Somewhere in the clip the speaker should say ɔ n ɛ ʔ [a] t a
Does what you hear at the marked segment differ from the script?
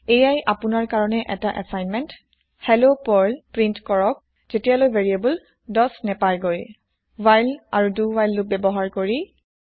yes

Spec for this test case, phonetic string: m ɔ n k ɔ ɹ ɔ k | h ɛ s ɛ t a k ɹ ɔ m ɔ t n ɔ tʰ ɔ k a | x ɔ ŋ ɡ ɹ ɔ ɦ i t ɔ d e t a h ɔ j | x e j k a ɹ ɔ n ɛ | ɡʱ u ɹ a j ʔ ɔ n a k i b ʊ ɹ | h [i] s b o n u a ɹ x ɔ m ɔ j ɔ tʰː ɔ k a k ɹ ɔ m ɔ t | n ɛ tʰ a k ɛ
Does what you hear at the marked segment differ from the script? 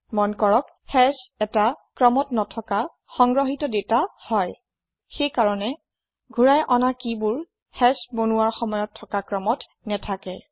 yes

